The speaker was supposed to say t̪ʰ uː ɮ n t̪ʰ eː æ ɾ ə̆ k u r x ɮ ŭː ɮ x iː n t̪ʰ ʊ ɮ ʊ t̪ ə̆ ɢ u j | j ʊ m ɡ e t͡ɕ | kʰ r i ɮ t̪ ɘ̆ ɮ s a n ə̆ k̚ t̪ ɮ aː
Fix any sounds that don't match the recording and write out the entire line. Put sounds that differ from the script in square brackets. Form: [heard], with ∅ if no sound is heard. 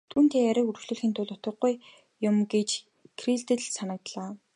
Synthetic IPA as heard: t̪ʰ uː [∅] n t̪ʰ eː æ ɾ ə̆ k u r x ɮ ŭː ɮ x iː n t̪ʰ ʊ ɮ ʊ t̪ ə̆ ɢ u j | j ʊ m ɡ e t͡ɕ | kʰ r i ɮ t̪ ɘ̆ ɮ s a n ə̆ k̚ t̪ ɮ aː

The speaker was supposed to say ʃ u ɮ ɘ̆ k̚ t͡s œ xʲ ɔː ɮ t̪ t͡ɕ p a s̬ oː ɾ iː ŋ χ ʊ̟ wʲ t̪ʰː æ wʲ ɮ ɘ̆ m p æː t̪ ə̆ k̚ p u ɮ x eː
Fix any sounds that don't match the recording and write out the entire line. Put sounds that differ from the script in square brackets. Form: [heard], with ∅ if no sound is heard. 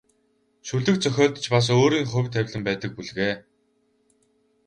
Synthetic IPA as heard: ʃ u ɮ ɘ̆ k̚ t͡s œ xʲ ɔː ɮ t̪ t͡ɕ p a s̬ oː ɾ iː ŋ χ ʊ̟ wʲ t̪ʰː æ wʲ ɮ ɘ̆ m p æː t̪ ə̆ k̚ p u ɮ [ɣ] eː

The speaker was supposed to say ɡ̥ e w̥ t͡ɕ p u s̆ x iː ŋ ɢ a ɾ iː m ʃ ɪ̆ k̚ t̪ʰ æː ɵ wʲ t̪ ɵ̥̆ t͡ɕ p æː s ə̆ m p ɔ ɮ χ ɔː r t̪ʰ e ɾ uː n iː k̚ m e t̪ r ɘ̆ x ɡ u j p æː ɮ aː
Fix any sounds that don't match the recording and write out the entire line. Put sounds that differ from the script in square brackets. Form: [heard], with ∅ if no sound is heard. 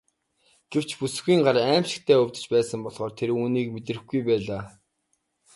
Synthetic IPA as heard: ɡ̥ e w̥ t͡ɕ p u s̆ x iː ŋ ɢ a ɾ [æː] m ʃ ɪ̆ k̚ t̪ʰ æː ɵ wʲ t̪ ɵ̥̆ t͡ɕ p æː s ə̆ m p ɔ ɮ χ ɔː r t̪ʰ e ɾ uː n iː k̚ m e t̪ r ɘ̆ x ɡ u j p æː ɮ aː

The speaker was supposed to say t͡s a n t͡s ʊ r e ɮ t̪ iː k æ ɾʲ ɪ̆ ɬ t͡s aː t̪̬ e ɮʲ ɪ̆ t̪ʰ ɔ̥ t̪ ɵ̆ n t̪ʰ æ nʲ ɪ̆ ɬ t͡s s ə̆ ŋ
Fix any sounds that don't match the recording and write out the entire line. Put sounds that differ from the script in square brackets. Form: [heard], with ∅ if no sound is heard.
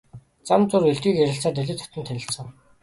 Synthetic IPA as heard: t͡s a [m] t͡s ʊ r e ɮ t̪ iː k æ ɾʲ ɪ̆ ɬ t͡s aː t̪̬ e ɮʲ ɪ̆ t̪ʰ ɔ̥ t̪ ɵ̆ n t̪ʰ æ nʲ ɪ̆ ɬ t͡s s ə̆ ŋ

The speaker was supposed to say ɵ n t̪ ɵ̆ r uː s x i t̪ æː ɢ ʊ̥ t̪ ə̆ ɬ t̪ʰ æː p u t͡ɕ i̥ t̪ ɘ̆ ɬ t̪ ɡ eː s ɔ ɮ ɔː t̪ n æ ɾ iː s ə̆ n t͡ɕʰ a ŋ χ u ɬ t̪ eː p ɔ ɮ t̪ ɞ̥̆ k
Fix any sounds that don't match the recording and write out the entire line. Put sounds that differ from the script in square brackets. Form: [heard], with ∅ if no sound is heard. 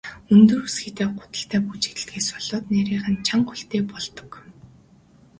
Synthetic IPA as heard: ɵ n t̪ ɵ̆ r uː s x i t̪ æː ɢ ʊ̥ t̪ ə̆ ɬ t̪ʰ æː p u t͡ɕ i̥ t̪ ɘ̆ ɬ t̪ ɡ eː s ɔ ɮ ɔː t̪ n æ ɾ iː [χ] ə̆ n t͡ɕʰ a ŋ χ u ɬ t̪ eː p ɔ ɮ t̪ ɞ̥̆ k

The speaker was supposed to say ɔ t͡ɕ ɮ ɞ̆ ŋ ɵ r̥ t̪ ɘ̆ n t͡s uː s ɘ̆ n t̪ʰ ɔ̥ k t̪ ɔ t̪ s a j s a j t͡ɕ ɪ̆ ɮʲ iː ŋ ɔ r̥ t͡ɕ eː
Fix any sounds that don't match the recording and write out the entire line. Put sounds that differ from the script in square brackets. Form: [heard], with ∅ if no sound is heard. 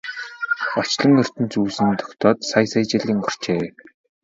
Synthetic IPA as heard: ɔ t͡ɕ ɮ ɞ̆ ŋ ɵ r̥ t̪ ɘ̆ n t͡s uː s ɘ̆ n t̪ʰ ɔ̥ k t̪ [ɔː] t̪ s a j s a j t͡ɕ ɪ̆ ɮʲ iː ŋ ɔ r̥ t͡ɕ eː

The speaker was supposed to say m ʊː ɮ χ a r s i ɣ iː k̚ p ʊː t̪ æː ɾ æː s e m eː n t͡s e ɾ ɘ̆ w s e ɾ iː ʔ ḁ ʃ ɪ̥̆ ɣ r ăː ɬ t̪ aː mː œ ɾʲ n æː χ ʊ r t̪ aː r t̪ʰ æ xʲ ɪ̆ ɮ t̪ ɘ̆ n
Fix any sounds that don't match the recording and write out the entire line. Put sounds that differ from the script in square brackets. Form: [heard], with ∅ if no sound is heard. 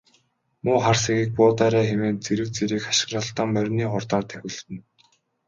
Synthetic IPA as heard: m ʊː [∅] χ a r s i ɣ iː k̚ p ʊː t̪ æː ɾ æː [x] e m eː n t͡s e ɾ ɘ̆ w [t͡s] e ɾ iː [k] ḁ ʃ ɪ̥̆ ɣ r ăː ɬ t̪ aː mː œ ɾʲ n [iː] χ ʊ r t̪ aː r t̪ʰ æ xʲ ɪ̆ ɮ t̪ ɘ̆ n

